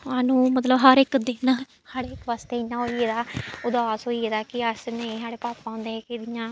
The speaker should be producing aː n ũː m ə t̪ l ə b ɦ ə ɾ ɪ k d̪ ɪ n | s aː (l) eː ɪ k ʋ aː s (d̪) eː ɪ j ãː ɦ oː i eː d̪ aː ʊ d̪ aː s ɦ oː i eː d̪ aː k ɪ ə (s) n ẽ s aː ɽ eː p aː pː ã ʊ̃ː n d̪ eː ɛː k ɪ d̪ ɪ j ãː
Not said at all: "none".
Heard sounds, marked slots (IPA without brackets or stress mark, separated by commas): ɽ, t̪, s